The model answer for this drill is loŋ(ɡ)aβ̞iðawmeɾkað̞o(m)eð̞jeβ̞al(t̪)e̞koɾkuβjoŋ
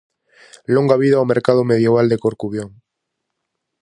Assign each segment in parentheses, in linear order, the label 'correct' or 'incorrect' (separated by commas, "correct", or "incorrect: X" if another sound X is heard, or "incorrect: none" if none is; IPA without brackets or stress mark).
correct, correct, incorrect: d̪